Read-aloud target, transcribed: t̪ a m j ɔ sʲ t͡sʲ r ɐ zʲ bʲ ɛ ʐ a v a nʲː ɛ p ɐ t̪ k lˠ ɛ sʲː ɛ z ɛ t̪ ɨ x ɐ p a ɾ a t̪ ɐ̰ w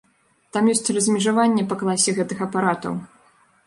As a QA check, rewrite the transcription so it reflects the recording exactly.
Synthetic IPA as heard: t̪ a m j ɔ sʲ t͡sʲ r ɐ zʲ mʲ ɛ ʐ a v a nʲː ɛ p ɐ k lˠ a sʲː ɛ ɣ ɛ t̪ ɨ x ɐ p a ɾ a t̪ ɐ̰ w